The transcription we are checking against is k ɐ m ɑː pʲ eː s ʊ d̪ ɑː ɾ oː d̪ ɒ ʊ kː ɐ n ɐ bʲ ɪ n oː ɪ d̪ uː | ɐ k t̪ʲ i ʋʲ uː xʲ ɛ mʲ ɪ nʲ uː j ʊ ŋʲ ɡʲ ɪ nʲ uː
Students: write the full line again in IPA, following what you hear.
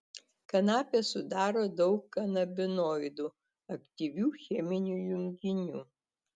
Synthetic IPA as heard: k ɐ n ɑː pʲ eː s ʊ d̪ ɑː ɾ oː d̪ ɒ ʊ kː ɐ n ɐ bʲ ɪ n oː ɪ d̪ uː | ɐ k t̪ʲ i ʋʲ uː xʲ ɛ mʲ ɪ nʲ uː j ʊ ŋʲ ɡʲ ɪ nʲ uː